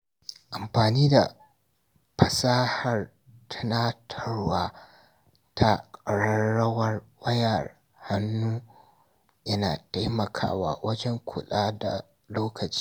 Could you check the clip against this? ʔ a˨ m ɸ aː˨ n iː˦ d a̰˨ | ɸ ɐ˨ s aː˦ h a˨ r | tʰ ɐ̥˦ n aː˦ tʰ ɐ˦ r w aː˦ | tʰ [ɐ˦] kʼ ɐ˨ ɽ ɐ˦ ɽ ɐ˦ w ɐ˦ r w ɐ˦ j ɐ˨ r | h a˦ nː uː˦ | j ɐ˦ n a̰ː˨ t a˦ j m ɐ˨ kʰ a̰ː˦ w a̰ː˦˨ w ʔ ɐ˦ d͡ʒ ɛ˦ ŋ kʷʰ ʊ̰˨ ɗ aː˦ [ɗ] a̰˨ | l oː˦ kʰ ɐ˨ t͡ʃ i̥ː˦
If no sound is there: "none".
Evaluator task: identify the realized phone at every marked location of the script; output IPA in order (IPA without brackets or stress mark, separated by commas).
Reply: a˦, d